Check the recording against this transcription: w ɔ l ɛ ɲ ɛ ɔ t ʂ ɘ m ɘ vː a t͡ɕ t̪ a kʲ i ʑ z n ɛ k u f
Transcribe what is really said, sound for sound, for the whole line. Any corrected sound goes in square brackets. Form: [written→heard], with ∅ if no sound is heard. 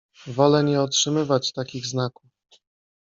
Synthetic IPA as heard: [w→v] ɔ l ɛ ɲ ɛ ɔ t ʂ ɘ m ɘ [vː→v] a t͡ɕ t̪ a kʲ i [ʑ→ɣ] z n [ɛ→a] k u f